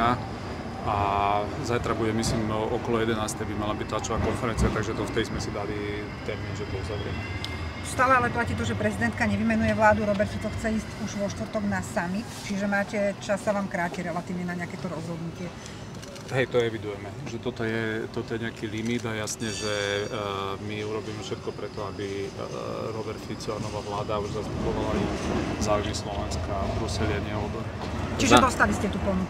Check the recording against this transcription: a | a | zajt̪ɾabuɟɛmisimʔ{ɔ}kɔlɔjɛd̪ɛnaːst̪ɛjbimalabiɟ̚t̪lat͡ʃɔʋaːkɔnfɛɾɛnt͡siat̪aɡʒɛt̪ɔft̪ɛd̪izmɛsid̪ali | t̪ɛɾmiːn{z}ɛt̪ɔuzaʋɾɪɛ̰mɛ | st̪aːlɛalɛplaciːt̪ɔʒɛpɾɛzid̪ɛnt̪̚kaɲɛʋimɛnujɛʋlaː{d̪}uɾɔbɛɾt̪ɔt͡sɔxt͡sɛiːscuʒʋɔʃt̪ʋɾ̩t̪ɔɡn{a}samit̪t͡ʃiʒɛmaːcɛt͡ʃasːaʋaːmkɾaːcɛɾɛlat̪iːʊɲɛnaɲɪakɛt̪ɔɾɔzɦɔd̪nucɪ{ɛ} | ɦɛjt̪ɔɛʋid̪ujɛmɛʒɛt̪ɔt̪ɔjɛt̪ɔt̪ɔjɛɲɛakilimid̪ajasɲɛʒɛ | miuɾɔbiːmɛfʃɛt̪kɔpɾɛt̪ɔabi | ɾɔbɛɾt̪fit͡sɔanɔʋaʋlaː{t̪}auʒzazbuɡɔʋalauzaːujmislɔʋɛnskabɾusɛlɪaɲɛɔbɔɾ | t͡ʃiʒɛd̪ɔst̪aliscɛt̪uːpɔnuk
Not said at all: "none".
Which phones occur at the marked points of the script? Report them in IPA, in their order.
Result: ɔ, ʒ, d̪, a, ɛ, d̪

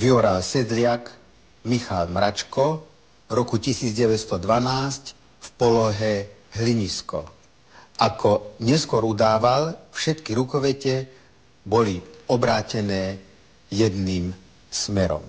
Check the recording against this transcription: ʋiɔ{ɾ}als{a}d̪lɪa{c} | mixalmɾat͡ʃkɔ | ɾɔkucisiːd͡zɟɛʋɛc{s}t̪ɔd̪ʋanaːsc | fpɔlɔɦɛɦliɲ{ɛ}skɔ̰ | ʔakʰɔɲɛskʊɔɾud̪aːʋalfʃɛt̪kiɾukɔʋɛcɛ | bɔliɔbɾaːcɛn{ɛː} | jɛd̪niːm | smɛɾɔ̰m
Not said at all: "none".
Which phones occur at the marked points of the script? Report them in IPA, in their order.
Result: ɾ, ɛ, k, s, i, ɛː

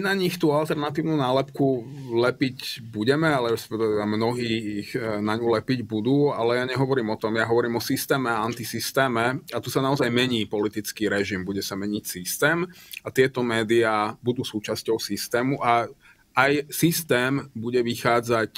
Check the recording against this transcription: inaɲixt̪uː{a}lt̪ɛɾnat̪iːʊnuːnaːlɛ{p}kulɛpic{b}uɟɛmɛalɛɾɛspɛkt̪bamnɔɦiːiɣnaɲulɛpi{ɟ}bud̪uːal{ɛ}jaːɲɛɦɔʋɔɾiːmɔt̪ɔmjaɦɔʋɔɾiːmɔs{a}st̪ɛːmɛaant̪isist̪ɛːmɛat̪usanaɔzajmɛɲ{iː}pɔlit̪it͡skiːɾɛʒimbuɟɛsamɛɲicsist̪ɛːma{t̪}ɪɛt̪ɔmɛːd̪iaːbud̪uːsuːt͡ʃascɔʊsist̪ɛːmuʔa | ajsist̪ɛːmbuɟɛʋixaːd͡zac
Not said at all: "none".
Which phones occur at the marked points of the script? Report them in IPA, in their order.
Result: a, p, b, ɟ, ɛ, i, iː, t̪

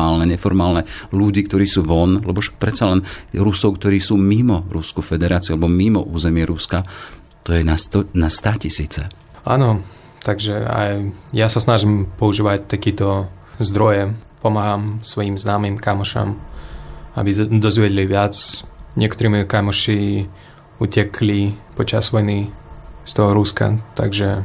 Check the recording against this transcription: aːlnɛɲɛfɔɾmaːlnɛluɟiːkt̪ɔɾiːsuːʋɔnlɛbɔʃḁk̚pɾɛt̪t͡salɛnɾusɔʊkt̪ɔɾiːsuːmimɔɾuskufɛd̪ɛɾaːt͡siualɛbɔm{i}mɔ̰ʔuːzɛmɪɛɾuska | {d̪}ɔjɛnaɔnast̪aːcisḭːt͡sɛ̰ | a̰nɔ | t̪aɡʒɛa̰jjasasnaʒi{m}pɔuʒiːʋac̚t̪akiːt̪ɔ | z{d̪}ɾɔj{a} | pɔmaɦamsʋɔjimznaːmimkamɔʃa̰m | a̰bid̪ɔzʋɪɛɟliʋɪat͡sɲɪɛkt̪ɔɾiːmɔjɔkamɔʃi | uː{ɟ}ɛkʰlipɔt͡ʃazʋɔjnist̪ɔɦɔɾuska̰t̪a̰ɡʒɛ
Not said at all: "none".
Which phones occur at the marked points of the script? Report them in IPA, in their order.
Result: i, t̪, m, d̪, ɛ, c

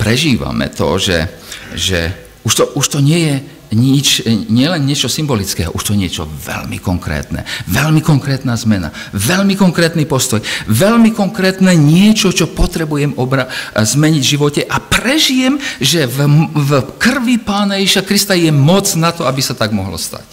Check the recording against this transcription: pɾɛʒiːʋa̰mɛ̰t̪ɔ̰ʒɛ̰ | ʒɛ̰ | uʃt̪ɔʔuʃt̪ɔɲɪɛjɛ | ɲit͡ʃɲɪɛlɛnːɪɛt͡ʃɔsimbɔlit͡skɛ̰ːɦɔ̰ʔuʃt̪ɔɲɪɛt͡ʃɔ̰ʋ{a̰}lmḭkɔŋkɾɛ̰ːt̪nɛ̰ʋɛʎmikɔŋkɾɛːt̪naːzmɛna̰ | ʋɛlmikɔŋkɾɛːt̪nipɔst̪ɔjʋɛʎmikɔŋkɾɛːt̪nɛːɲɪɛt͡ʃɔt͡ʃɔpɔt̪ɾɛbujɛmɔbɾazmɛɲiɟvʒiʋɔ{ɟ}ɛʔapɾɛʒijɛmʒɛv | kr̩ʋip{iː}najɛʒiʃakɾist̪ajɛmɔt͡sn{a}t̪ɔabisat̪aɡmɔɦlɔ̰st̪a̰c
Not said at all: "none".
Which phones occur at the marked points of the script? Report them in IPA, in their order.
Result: ɛ̰, c, aː, a

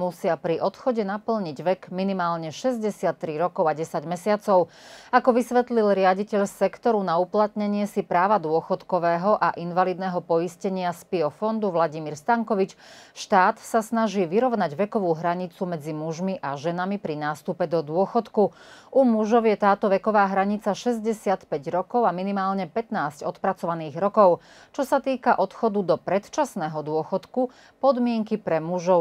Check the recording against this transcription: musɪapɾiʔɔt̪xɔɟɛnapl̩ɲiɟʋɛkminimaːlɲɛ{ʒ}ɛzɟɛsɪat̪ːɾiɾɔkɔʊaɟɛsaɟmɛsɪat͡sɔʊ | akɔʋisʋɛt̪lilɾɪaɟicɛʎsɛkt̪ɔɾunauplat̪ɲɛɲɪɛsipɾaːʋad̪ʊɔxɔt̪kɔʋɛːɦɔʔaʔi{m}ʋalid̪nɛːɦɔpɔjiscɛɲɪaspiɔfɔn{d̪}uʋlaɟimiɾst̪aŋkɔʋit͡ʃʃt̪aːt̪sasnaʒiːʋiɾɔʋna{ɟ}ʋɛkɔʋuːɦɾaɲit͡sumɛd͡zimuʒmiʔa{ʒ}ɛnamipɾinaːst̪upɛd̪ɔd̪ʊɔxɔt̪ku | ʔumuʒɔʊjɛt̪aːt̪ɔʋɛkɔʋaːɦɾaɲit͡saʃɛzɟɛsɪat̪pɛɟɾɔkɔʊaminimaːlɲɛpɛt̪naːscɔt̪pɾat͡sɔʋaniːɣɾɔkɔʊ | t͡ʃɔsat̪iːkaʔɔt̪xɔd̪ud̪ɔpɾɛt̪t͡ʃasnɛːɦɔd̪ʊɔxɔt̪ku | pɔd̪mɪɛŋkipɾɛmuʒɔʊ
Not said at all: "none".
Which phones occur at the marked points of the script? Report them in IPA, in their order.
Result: ʃ, n, d̪, ɟ, ʒ

